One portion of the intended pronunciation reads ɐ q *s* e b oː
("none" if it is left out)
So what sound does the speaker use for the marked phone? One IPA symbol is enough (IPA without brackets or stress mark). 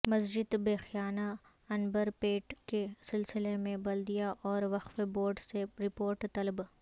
f